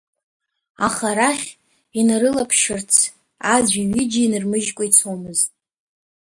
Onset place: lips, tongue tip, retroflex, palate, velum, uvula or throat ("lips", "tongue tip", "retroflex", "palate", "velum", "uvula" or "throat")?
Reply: uvula